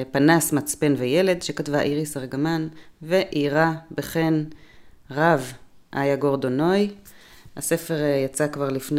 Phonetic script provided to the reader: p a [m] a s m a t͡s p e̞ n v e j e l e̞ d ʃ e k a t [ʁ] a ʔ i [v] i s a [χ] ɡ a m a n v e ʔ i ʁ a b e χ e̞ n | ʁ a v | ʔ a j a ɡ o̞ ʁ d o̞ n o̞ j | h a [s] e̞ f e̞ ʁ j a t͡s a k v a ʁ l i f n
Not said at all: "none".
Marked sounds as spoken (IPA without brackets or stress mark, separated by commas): n, v, ʁ, ʁ, s